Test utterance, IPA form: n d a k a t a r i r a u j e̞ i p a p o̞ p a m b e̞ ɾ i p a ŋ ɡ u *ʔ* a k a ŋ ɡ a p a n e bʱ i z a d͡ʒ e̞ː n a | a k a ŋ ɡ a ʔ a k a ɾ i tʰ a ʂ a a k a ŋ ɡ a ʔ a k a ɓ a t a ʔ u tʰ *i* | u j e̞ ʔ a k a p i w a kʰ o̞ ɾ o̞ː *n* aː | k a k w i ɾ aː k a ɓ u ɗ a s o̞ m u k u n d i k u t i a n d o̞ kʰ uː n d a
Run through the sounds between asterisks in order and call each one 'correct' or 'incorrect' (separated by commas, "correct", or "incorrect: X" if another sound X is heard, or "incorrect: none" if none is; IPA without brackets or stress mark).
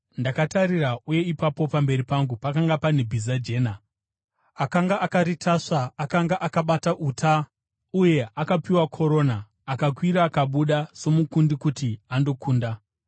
incorrect: p, incorrect: a, correct